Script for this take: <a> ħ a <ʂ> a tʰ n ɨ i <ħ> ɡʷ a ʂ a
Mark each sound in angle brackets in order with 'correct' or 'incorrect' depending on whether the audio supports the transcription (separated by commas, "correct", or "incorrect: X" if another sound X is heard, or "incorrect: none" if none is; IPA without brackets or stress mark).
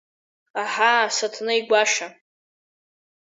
correct, incorrect: s, incorrect: none